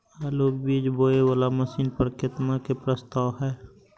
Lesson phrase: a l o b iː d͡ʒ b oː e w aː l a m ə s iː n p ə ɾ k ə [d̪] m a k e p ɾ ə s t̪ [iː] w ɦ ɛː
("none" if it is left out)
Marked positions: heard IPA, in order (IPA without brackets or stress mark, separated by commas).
t̪, aː